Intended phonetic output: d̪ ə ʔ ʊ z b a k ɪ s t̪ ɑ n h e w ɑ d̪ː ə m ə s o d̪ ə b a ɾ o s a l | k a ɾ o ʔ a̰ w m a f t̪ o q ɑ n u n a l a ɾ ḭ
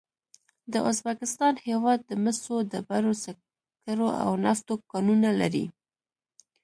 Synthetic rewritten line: d̪ ə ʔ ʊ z b a k ɪ s t̪ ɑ n h e w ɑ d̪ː ə m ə s o d̪ ə b a ɾ o s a | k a ɾ o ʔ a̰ w n a f t̪ o k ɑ n u n a l a ɾ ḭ